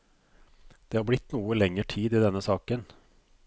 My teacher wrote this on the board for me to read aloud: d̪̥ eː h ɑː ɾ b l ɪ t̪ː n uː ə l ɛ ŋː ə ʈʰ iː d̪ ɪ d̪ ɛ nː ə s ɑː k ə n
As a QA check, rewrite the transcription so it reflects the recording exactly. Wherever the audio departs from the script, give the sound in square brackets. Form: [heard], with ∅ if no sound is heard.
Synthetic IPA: d̪̥ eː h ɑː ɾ b l ɪ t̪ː n uː ə l ɛ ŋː ə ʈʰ iː d̪ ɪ d̪ ɛ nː ə s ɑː k ə n